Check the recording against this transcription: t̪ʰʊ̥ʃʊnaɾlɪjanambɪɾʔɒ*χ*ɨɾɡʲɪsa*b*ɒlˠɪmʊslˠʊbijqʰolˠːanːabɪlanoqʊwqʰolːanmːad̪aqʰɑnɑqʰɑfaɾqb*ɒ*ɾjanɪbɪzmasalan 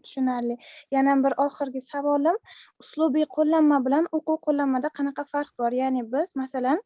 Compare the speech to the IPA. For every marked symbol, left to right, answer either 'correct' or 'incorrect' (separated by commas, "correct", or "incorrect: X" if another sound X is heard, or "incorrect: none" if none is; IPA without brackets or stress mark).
correct, incorrect: v, correct